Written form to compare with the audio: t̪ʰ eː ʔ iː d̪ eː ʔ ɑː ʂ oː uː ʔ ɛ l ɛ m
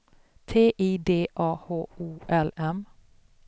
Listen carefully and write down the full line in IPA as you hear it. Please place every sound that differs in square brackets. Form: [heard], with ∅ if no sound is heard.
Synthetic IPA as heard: t̪ʰ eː ʔ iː d̪ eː ʔ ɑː [h] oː uː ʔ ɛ l ɛ m